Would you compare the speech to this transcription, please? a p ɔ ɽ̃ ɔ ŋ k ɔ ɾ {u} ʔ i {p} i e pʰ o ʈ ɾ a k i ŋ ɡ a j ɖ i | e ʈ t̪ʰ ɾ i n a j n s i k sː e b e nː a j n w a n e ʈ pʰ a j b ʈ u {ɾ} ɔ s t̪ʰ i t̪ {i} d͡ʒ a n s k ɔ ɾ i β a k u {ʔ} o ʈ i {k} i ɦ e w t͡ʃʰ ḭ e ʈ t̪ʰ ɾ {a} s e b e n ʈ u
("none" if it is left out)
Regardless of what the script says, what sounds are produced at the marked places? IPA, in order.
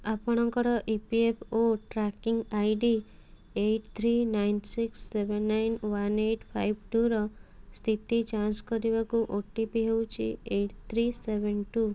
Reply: ɔ, p, ɾ, i, ʔ, p, i

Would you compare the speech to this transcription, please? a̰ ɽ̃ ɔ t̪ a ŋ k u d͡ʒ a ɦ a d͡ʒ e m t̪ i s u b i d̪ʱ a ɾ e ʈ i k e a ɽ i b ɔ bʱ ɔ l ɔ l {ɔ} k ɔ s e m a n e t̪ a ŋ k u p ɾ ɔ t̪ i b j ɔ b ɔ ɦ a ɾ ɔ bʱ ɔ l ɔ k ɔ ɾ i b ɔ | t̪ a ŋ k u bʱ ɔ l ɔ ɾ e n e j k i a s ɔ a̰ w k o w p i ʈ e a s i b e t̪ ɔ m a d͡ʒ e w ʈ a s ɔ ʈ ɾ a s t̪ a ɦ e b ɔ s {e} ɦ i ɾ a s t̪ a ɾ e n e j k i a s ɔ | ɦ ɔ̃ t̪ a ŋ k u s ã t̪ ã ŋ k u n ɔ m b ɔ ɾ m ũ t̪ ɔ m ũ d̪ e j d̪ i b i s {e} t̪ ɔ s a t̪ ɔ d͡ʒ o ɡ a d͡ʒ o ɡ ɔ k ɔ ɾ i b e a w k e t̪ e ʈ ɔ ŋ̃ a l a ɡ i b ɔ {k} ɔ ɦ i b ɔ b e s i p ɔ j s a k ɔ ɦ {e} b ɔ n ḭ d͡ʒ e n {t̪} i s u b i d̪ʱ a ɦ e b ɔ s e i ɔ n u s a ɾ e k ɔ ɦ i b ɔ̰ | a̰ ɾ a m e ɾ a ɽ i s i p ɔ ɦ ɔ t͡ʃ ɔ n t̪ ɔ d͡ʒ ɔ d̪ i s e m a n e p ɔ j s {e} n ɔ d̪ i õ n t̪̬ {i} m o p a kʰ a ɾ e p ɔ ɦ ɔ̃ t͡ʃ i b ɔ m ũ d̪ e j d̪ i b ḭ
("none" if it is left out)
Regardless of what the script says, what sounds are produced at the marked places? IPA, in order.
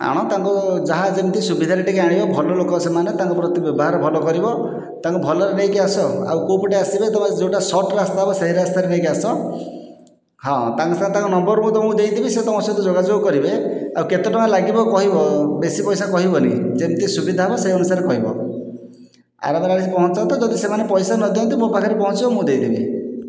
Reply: o, e, e, k, i, t̪, a, i

